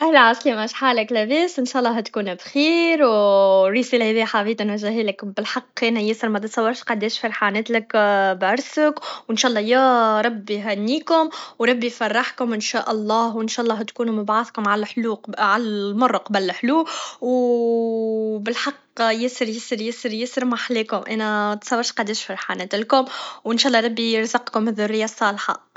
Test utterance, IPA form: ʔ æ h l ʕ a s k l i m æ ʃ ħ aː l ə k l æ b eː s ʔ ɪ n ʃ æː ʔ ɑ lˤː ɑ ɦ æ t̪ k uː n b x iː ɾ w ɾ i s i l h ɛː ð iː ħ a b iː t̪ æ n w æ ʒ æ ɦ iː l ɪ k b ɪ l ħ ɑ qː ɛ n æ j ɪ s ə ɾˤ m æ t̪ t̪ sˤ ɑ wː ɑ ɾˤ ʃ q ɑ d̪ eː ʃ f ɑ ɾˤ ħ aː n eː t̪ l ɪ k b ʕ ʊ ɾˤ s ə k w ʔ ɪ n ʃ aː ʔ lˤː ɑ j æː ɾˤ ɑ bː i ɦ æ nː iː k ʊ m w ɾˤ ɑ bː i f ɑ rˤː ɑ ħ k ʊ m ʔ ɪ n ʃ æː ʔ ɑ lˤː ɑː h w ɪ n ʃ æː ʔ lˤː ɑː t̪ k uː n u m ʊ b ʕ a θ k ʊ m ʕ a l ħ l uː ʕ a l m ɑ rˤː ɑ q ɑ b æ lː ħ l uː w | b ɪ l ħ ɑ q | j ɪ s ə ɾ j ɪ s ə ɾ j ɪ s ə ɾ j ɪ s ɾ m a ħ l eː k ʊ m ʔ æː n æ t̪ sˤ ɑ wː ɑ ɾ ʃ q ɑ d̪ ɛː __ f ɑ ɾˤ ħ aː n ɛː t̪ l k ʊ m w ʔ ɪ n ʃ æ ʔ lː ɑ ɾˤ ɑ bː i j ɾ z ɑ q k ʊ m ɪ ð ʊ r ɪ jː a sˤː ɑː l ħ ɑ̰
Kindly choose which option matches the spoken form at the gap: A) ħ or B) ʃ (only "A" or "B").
B